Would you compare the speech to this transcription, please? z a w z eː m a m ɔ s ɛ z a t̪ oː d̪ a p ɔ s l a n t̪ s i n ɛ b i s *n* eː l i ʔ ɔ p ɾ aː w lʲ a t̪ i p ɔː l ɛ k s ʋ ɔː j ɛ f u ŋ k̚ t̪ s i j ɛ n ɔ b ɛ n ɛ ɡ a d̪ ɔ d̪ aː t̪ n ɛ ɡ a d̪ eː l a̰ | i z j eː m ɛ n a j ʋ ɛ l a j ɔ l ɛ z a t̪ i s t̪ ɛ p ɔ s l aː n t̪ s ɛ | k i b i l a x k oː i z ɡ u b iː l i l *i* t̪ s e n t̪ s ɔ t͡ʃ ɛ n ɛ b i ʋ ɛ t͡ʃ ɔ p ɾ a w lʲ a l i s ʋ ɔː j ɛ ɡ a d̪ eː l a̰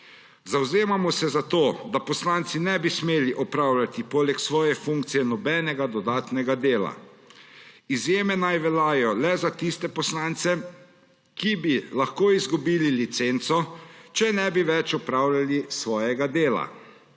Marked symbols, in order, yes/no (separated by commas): no, yes